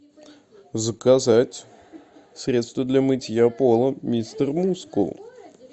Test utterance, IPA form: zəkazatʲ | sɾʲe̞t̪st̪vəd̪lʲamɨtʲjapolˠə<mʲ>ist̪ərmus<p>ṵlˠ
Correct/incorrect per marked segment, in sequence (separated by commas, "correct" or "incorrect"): correct, incorrect